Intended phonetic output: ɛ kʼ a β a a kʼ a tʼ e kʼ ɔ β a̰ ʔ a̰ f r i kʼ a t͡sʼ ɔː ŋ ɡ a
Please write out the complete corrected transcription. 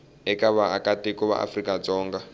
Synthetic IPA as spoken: ɛ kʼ a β a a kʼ a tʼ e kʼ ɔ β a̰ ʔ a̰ f r i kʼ a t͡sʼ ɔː ŋ ɡ a